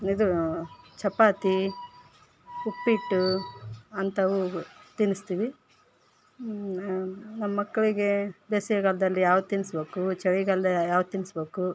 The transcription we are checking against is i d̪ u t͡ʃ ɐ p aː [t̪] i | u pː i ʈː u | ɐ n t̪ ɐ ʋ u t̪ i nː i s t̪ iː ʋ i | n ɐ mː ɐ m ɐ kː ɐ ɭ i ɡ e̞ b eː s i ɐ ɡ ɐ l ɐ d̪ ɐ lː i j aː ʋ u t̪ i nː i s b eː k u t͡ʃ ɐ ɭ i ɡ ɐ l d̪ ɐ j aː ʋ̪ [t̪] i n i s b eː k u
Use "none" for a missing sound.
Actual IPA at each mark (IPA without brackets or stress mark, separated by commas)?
t̪, t̪